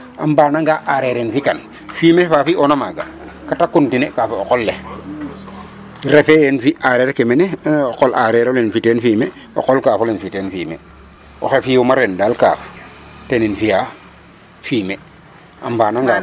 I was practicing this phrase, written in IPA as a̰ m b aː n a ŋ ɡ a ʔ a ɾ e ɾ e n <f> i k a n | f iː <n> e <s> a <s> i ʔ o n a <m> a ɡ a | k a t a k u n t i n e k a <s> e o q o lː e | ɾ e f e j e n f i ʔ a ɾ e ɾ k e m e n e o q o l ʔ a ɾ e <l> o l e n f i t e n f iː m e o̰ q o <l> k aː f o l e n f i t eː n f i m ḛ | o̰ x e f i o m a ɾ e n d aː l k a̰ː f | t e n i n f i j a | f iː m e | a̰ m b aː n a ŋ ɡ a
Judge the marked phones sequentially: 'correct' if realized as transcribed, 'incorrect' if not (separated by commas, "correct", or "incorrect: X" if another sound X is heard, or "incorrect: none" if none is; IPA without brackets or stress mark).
correct, incorrect: m, incorrect: f, incorrect: f, correct, incorrect: f, incorrect: ɾ, correct